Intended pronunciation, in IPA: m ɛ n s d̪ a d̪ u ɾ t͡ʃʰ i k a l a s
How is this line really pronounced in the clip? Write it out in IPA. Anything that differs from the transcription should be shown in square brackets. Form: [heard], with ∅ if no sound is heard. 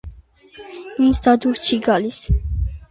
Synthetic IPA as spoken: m [i] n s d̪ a d̪ u ɾ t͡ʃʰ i [ɡ] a l [i] s